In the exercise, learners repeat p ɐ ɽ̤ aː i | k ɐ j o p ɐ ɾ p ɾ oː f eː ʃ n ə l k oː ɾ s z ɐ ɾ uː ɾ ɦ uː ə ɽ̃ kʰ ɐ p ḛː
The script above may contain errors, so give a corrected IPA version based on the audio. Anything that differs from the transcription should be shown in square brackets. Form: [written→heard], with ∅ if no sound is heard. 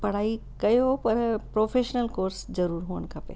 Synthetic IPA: p ɐ ɽ̤ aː i | k ɐ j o p ɐ ɾ p ɾ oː f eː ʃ n ə l k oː ɾ s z ɐ ɾ uː ɾ ɦ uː ə ɽ̃ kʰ ɐ p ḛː